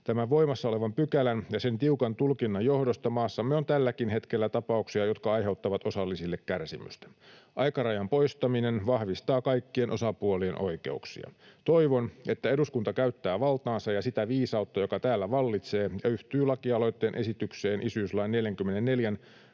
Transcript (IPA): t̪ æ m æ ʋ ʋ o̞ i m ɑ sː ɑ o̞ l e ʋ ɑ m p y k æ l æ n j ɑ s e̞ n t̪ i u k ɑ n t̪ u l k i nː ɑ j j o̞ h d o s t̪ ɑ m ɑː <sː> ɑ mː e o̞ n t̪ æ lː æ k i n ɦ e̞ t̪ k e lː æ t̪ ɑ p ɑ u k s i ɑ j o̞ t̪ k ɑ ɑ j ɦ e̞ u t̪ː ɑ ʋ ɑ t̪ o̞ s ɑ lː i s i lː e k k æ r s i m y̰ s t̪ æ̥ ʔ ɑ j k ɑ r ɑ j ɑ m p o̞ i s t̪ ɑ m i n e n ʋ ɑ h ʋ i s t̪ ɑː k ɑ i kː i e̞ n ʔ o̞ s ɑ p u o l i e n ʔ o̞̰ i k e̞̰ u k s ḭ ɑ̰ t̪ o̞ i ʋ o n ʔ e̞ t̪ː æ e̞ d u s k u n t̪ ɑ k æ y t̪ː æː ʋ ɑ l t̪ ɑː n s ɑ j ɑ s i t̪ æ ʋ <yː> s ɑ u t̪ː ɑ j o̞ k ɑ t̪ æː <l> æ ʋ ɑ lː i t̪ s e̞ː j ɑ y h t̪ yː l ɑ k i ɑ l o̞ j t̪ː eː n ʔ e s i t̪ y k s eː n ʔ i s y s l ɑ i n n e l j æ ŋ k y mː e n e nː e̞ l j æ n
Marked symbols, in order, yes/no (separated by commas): yes, no, no